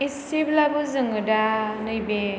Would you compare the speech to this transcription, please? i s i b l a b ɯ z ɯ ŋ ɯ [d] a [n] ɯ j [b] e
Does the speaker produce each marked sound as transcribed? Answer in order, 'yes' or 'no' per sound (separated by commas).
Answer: yes, yes, yes